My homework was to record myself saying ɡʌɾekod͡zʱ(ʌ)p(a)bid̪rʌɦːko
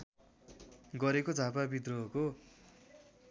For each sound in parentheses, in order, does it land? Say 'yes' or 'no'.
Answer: no, yes

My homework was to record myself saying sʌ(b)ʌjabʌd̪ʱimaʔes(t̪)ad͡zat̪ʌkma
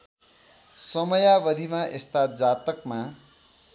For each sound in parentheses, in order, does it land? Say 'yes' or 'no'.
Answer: no, yes

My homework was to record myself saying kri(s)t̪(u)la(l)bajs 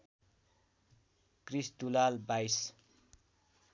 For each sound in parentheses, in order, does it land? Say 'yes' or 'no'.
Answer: yes, yes, yes

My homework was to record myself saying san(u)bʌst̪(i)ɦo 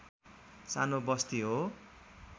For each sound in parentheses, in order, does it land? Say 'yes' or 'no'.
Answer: no, yes

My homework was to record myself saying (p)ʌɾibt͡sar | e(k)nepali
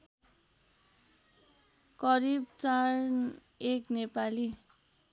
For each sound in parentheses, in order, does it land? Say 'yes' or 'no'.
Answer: no, yes

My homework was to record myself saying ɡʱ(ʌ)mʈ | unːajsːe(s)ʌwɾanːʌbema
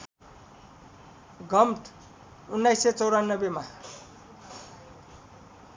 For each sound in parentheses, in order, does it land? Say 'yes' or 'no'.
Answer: yes, no

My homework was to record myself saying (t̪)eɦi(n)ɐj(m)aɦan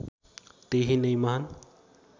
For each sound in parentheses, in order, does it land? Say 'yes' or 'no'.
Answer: yes, yes, yes

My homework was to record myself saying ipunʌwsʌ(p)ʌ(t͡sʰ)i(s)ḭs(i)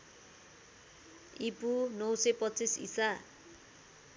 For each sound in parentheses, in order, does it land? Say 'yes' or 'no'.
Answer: yes, no, yes, no

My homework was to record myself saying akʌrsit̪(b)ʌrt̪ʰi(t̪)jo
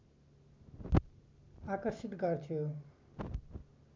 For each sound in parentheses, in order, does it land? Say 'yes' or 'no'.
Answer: no, no

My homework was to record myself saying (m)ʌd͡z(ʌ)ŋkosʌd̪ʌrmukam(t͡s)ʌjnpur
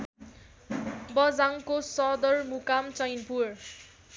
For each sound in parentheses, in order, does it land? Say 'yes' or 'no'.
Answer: no, no, yes

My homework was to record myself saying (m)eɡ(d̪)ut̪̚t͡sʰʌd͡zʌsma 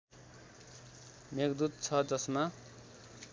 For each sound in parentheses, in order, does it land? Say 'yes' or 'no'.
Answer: yes, yes

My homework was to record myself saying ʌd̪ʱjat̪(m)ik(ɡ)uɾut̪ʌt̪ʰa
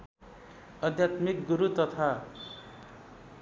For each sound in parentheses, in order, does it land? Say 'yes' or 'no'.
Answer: yes, yes

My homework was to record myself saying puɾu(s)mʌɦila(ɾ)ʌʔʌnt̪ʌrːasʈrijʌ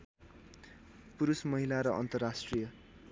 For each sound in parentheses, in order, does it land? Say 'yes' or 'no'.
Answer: yes, yes

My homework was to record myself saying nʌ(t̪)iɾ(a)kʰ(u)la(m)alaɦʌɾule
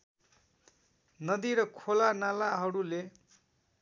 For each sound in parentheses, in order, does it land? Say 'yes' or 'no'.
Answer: no, no, no, no

